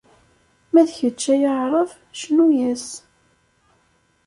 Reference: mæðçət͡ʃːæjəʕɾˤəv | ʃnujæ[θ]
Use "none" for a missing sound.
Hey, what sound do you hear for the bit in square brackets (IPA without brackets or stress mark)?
s